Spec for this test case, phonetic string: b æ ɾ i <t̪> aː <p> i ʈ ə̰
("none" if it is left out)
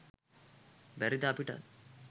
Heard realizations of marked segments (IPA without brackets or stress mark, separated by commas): d̪, p